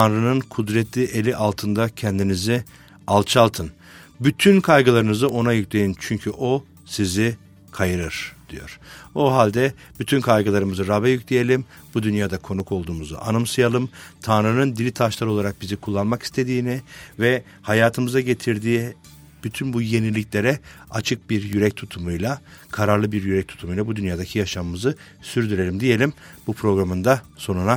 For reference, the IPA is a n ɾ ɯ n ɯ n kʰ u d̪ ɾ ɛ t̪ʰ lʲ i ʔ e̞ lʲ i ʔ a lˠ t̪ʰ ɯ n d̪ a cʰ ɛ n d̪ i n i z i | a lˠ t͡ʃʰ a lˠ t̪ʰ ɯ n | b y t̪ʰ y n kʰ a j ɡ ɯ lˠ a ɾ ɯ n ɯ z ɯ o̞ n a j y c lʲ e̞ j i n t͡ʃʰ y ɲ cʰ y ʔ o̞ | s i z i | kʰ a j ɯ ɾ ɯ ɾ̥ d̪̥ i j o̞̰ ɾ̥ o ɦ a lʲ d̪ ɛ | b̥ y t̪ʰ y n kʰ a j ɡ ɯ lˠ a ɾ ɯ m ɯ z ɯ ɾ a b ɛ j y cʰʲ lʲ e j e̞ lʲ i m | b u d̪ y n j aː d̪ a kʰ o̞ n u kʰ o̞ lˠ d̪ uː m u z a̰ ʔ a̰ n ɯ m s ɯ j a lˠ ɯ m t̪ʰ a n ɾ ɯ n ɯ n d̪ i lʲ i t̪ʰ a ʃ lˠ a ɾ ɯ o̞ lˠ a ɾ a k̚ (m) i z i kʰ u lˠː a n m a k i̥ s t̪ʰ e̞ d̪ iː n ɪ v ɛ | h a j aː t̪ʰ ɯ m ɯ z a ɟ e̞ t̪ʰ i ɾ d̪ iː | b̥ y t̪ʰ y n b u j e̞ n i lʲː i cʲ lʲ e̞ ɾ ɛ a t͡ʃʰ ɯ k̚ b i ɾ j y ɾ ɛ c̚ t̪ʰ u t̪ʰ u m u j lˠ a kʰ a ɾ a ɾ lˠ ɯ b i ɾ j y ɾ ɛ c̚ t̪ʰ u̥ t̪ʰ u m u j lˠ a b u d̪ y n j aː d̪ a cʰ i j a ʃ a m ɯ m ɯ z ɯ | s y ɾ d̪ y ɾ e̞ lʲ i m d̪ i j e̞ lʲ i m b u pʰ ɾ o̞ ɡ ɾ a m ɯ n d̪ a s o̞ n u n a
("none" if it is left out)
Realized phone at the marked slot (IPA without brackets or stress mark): b